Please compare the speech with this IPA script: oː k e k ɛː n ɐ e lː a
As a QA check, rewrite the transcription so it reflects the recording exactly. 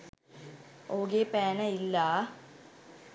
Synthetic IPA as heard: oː ɡ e p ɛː n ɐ i lː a